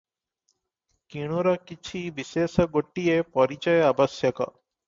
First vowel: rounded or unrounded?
unrounded